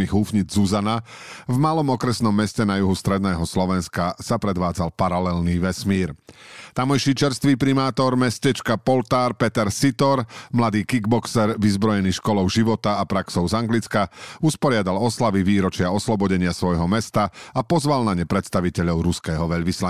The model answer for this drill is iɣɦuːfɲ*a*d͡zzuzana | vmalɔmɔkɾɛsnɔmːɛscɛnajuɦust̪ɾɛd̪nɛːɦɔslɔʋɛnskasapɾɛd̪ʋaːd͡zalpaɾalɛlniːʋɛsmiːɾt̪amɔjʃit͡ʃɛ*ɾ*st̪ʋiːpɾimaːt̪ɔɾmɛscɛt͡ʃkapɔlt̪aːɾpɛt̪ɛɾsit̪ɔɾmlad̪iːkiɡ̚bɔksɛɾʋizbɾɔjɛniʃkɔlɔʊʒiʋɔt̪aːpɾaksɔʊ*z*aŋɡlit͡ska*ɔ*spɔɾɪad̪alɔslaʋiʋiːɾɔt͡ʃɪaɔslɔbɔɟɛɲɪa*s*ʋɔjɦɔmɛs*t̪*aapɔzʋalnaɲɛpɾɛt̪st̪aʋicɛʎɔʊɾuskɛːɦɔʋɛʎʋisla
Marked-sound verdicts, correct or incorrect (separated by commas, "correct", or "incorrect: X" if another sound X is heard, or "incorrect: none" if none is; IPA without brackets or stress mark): incorrect: i, correct, correct, incorrect: u, correct, correct